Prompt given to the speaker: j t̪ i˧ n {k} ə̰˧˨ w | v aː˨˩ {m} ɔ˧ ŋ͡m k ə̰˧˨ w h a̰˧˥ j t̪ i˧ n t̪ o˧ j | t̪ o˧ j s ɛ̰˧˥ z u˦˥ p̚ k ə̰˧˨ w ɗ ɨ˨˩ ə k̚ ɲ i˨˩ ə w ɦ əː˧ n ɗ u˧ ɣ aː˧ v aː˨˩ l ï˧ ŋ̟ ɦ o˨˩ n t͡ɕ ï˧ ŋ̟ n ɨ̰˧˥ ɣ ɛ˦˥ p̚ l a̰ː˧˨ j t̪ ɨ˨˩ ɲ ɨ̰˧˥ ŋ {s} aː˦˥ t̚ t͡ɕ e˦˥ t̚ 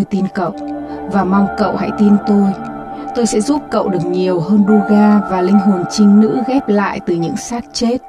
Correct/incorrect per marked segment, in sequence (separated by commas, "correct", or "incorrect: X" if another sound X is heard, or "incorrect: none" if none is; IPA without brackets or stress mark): correct, correct, correct